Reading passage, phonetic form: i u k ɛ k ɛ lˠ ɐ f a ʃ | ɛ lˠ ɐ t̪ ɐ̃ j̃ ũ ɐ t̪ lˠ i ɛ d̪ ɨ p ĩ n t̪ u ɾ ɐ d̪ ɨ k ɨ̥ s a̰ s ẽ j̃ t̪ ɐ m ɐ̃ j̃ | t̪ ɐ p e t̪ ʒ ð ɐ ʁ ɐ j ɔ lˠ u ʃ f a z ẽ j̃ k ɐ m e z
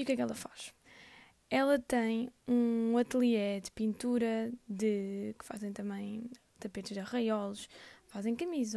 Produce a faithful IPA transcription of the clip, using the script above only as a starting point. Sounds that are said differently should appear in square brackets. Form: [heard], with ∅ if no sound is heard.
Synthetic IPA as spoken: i u k ɛ k ɛ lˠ ɐ f a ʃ | ɛ lˠ ɐ t̪ ɐ̃ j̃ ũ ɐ t̪ lˠ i ɛ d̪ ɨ p ĩ n t̪ u ɾ ɐ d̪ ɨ k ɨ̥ [f] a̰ [z] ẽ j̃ t̪ ɐ m ɐ̃ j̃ | t̪ ɐ p e t̪ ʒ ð ɐ ʁ ɐ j ɔ lˠ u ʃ f a z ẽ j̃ k ɐ m [i] z